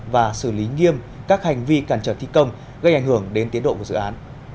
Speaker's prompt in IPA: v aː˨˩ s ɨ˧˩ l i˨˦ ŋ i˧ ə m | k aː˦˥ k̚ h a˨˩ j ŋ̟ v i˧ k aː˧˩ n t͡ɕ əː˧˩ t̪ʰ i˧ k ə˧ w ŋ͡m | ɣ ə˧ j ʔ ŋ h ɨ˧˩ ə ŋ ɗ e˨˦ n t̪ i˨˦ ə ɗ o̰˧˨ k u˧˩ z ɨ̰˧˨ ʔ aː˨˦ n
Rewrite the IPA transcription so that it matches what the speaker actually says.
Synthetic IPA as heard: v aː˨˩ s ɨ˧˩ l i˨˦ ŋ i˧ ə m | k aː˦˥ k̚ h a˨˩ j ŋ̟ v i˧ k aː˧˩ n t͡ɕ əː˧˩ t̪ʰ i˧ k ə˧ w ŋ͡m | ɣ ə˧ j ʔ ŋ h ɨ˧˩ ə ŋ ɗ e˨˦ n t̪ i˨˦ ə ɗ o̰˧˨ k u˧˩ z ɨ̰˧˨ ʔ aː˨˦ n